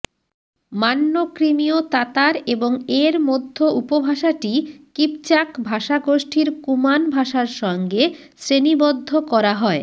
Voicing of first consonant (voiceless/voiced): voiced